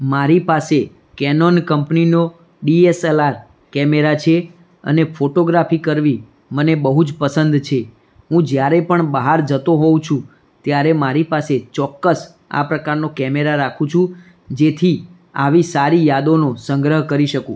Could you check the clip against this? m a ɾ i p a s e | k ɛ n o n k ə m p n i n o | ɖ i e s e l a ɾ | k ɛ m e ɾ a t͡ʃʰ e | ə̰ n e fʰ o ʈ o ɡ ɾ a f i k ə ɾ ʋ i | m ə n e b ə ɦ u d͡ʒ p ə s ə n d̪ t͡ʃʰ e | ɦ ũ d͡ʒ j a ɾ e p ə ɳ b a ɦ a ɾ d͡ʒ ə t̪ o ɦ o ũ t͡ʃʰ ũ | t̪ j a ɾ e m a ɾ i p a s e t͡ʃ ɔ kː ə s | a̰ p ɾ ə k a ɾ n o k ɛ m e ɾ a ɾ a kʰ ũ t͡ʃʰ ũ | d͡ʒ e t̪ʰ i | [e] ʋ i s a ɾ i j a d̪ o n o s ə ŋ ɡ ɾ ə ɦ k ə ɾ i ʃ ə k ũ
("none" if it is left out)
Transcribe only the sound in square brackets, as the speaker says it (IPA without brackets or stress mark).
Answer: a